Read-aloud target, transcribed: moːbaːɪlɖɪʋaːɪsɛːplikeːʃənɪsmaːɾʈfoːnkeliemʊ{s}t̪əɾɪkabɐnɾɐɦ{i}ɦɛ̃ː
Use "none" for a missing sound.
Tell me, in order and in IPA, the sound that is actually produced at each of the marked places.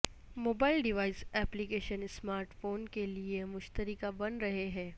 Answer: ʃ, e

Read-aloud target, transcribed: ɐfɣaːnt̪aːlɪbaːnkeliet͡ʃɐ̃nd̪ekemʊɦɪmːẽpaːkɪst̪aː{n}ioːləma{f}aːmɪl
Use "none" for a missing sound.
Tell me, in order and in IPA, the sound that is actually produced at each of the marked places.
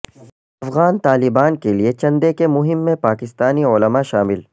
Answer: n, ʃ

